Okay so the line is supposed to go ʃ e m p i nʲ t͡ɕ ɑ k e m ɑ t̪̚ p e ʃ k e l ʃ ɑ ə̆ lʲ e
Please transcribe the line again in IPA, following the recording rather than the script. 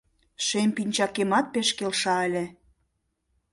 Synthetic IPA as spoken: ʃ e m p i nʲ t͡ɕ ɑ k e m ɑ t̪̚ p e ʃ k e l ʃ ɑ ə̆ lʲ e